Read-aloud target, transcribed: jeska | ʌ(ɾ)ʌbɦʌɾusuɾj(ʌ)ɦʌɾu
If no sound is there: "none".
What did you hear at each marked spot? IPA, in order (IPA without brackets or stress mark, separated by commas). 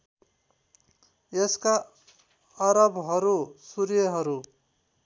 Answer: ɾ, ʌ